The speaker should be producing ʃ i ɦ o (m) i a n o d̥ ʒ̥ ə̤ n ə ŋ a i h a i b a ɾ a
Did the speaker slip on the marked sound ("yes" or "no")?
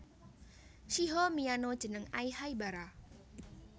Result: no